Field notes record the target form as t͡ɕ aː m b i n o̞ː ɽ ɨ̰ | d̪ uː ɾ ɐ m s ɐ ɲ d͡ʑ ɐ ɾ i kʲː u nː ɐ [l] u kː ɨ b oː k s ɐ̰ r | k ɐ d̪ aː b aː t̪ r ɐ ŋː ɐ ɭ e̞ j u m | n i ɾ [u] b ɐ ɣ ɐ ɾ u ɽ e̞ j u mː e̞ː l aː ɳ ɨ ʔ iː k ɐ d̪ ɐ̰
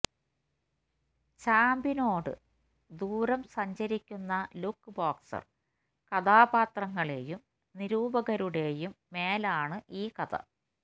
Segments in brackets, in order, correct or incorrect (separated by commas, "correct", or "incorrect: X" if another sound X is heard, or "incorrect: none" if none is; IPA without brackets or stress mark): correct, incorrect: uː